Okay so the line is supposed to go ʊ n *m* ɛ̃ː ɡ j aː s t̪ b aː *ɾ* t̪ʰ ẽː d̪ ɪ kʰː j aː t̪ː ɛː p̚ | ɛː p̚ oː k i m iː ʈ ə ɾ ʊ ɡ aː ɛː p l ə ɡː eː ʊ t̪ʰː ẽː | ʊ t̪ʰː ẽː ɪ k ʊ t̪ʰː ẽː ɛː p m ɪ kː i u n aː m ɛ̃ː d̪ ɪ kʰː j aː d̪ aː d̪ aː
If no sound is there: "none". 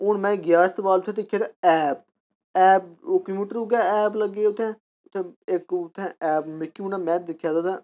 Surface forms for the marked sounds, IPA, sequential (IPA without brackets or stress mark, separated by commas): m, l